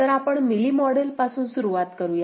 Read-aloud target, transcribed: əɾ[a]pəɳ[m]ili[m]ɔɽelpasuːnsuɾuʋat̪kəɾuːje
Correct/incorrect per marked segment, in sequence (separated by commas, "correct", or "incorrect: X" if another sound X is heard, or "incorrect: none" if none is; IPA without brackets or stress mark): correct, correct, correct